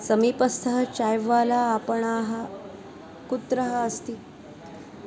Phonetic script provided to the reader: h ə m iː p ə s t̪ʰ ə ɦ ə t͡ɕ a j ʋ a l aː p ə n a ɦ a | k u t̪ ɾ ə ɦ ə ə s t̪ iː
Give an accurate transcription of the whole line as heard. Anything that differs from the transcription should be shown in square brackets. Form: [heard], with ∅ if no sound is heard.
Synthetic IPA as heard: [s] ə m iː p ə s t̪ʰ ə ɦ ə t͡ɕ a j ʋ a l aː p ə [ɳ] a ɦ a | k u t̪ ɾ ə ɦ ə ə s t̪ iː